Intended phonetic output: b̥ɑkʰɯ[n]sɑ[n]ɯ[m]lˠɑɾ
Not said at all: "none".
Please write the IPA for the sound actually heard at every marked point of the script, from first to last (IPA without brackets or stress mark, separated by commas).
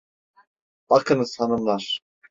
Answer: n, n, m